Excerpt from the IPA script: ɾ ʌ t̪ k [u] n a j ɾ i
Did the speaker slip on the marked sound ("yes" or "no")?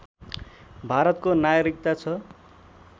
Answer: yes